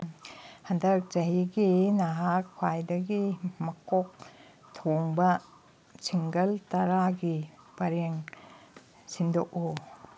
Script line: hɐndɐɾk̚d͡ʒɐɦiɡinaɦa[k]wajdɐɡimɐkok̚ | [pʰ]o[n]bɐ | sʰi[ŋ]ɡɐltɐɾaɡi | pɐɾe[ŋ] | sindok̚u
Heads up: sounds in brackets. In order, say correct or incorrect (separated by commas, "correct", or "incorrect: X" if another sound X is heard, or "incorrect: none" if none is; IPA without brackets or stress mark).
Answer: incorrect: kʰ, incorrect: tʰ, incorrect: ŋ, correct, correct